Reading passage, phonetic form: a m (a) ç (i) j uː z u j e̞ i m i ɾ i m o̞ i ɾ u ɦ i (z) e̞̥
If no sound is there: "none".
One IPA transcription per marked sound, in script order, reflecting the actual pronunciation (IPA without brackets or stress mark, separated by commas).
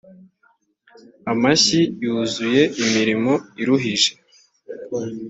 a, i, ʒ